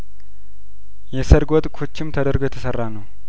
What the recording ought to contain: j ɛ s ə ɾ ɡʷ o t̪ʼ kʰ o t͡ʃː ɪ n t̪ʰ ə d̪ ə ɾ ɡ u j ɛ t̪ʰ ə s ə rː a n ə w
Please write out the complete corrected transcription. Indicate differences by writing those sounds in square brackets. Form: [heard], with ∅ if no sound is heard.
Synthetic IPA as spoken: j ɛ s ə ɾ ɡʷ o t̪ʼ kʰ o t͡ʃː ɪ [m] t̪ʰ ə d̪ ə ɾ ɡ [o] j ɛ t̪ʰ ə s ə rː a n ə w